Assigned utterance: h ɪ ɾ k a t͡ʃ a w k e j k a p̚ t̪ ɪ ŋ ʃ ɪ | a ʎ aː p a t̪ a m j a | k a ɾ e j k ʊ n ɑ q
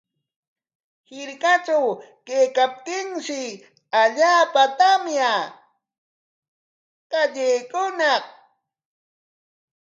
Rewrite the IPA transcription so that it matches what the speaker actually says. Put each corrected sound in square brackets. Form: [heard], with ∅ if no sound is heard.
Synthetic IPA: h ɪ ɾ k a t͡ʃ a w k e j k a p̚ t̪ ɪ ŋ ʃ ɪ | a ʎ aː p a t̪ a m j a | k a [ʎ] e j k ʊ n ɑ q